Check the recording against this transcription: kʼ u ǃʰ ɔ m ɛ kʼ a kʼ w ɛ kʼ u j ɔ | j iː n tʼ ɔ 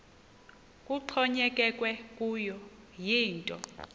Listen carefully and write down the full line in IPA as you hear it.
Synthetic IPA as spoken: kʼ u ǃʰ ɔ ɲ ɛ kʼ ɛ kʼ w ɛ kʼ u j ɔ | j iː n tʼ ɔ